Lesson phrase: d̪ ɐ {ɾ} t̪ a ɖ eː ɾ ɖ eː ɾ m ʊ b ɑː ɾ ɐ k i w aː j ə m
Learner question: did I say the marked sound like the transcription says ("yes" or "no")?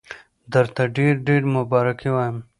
yes